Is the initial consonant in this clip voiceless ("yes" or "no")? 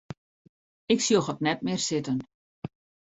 yes